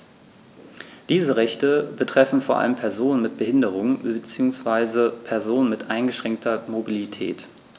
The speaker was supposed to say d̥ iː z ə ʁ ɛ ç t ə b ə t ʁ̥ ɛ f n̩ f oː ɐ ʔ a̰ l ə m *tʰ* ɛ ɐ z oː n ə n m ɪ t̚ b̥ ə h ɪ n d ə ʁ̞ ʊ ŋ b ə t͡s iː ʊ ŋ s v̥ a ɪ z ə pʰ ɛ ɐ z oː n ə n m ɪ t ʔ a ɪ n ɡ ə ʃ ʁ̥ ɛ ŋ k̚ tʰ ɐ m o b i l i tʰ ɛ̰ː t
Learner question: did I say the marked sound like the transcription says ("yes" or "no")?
no